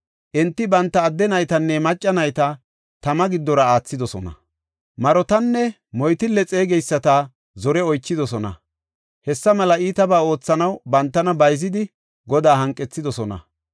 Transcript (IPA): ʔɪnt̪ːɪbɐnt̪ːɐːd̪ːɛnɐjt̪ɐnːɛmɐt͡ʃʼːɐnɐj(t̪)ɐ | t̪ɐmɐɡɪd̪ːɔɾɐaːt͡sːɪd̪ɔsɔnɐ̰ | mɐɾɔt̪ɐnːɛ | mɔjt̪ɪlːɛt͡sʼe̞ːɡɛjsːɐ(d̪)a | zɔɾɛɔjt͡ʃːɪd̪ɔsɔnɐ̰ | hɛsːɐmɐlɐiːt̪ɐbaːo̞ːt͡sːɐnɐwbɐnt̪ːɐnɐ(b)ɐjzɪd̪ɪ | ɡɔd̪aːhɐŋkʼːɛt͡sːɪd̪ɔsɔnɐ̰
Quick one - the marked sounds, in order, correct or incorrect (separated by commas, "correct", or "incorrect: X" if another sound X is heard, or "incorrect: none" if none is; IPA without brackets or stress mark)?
correct, incorrect: t̪, correct